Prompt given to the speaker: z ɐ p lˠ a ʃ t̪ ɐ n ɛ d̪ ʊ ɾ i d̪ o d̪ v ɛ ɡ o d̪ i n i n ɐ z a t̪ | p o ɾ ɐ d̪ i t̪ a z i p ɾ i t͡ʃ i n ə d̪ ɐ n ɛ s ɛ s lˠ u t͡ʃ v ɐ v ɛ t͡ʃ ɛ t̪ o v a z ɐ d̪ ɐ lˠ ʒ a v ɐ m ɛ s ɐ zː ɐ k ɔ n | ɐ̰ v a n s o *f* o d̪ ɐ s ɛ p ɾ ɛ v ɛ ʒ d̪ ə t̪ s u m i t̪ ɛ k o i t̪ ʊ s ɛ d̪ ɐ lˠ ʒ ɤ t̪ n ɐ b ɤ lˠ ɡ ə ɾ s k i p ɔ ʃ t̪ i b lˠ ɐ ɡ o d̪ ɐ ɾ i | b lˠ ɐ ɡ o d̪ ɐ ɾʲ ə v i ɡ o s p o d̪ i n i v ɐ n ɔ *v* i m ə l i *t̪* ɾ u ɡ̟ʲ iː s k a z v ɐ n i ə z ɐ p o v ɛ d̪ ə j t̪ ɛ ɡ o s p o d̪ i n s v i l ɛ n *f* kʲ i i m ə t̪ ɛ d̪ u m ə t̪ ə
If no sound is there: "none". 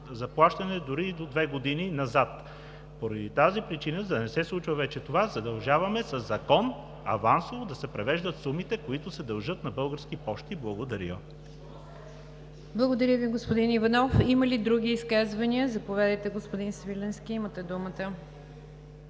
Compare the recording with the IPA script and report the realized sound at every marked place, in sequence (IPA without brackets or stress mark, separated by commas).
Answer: v, f, d̪, s